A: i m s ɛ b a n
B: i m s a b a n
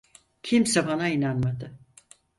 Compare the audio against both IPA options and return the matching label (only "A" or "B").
A